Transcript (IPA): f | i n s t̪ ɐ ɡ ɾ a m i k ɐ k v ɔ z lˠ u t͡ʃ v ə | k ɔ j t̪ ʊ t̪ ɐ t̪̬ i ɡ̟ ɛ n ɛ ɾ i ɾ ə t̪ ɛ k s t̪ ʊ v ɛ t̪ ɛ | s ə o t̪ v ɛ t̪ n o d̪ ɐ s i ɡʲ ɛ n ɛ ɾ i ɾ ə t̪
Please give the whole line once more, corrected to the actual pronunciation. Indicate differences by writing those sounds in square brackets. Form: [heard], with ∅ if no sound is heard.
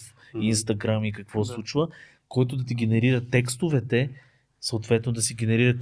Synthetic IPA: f | i n s t̪ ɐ ɡ ɾ a m i k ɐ k v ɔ [s] lˠ u t͡ʃ v ə | k ɔ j t̪ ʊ [d̪] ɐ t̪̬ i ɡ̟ ɛ n ɛ ɾ i ɾ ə t̪ ɛ k s t̪ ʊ v ɛ t̪ ɛ | s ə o t̪ v ɛ t̪ n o d̪ ɐ s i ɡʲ ɛ n ɛ ɾ i ɾ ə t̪